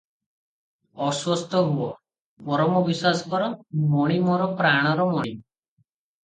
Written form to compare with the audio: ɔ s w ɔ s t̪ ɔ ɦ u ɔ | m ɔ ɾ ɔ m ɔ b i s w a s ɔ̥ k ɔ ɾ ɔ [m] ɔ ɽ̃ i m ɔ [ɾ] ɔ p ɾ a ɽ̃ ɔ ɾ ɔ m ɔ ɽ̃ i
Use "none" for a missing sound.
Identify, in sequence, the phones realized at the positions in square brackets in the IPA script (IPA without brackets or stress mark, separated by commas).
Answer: m, ɾ